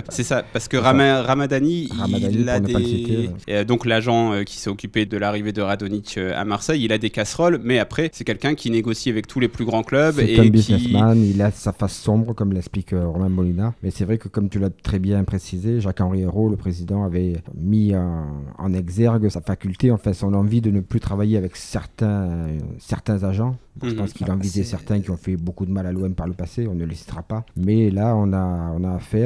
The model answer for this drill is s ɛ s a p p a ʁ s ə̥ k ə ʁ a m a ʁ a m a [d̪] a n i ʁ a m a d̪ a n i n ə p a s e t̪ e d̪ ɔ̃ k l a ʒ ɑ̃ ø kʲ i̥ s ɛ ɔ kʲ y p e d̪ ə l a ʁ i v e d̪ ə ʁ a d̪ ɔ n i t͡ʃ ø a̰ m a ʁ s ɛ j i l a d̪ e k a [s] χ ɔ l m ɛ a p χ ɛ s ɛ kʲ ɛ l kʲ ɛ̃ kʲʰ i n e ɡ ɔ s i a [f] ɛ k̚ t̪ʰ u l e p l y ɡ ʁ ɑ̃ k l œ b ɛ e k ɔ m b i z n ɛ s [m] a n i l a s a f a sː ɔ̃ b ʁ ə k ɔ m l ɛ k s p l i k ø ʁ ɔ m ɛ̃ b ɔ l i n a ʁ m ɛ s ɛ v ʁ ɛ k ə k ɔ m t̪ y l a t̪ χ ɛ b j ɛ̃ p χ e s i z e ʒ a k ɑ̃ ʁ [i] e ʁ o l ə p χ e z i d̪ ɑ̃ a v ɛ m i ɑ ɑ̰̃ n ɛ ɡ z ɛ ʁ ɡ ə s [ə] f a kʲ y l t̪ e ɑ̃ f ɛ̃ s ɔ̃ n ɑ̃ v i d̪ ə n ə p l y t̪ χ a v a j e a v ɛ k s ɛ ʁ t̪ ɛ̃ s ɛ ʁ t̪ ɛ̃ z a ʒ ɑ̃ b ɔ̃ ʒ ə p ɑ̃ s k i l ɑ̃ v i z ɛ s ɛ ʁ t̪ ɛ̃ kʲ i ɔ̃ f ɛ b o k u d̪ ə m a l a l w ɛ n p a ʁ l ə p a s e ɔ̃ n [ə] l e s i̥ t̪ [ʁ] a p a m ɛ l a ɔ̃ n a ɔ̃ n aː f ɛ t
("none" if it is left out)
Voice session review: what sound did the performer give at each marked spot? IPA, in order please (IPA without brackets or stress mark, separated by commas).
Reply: d̪, s, v, m, i, a, ə, ʁ